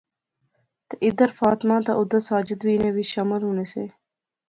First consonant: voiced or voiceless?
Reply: voiceless